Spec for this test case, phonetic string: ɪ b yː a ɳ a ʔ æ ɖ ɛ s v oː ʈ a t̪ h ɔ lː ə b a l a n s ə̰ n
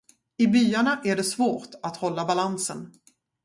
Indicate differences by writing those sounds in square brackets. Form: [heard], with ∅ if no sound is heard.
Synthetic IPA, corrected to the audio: ɪ b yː a ɳ a ʔ æ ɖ ɛ s v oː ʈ a t̪ h ɔ lː [a] b a l a n s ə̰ n